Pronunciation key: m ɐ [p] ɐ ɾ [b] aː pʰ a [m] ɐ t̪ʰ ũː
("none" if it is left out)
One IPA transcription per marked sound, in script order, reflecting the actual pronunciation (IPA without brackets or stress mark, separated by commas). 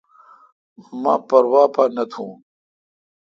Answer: p, w, n